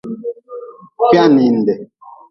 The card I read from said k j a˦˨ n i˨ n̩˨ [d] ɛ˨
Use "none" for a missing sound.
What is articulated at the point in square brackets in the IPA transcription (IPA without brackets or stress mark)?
d